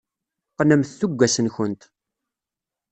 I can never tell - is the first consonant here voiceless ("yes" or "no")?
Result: yes